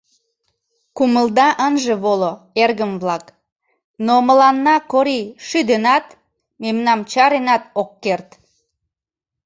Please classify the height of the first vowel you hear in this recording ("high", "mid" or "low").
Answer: high